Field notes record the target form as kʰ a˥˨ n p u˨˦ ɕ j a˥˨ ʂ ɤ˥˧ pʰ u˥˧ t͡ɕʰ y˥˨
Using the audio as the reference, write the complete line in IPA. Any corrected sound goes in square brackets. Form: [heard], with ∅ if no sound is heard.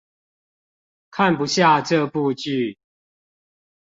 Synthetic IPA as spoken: kʰ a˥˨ n p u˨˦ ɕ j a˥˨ [ʈ͡ʂ] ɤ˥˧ [p] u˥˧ [t͡ɕ] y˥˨